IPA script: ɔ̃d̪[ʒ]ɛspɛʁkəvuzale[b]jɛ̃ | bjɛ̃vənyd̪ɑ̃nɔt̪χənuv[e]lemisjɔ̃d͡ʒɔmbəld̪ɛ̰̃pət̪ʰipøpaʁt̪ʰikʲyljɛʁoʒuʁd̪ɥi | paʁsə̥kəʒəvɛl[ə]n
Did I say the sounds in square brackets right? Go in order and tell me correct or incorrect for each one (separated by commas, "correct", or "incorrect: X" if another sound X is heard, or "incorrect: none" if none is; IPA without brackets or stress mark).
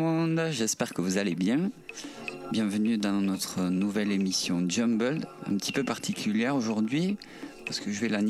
correct, correct, incorrect: ɛ, incorrect: a